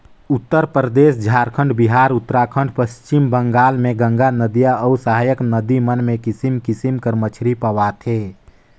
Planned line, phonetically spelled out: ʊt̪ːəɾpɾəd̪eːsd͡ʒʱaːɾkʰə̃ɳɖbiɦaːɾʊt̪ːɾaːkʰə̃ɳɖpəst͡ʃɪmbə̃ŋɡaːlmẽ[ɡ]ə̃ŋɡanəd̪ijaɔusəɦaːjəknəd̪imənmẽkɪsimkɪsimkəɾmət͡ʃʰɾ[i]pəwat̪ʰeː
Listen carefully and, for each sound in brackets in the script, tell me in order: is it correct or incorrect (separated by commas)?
correct, correct